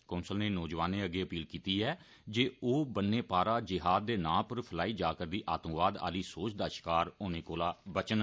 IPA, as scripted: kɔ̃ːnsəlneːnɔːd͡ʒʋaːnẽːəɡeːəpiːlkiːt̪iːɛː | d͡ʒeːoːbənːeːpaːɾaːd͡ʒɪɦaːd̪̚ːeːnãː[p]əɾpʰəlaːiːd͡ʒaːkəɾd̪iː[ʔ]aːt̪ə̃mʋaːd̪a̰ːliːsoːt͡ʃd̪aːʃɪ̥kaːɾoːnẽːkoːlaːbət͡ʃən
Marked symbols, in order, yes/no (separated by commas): yes, yes